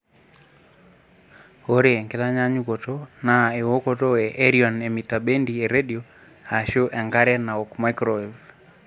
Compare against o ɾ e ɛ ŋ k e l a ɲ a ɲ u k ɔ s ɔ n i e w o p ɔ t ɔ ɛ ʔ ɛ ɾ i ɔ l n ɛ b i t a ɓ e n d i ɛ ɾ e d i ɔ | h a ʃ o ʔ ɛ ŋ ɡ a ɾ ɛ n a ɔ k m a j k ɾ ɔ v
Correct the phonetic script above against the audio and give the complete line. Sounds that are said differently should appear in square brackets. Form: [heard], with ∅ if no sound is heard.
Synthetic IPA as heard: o ɾ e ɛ ŋ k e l a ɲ a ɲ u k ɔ [t] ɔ n [a] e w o [k] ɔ t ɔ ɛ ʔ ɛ ɾ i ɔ [∅] n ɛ [m] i t a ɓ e n d i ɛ ɾ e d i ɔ | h a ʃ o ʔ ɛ ŋ ɡ a ɾ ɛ n a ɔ k m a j k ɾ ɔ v